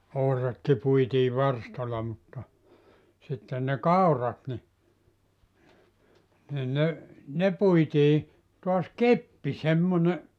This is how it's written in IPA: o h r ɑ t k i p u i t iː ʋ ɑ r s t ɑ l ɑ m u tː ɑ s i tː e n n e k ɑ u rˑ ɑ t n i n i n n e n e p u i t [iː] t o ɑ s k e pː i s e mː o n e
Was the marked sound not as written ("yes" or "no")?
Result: no